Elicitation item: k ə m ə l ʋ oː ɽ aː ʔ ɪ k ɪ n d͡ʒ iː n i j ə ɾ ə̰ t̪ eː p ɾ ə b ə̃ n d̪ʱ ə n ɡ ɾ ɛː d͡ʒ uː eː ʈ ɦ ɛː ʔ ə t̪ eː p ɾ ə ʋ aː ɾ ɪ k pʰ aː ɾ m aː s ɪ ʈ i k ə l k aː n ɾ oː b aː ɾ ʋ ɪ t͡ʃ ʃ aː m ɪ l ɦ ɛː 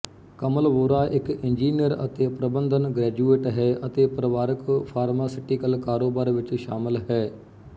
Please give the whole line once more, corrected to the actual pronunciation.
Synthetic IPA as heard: k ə m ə l ʋ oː ɾ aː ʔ ɪ k ɪ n d͡ʒ iː n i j ə ɾ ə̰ t̪ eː p ɾ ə b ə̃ n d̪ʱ ə n ɡ ɾ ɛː d͡ʒ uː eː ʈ ɦ ɛː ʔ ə t̪ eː p ɾ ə ʋ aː ɾ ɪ k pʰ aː ɾ m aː s ɪ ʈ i k ə l k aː ɾ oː b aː ɾ ʋ ɪ t͡ʃ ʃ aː m ɪ l ɦ ɛː